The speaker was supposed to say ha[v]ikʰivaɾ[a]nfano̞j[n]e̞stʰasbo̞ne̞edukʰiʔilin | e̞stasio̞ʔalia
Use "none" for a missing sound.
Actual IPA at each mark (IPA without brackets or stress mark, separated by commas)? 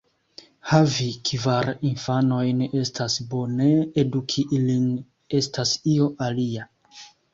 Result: v, i, n